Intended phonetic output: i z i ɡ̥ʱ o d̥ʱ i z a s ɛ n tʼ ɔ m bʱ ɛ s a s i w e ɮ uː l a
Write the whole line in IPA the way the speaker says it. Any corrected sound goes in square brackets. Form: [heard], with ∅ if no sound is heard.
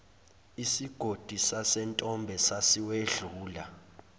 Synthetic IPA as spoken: i [s] i ɡ̥ʱ o d̥ʱ i [s] a s ɛ n tʼ ɔ m bʱ ɛ s a s i w e ɮ uː l a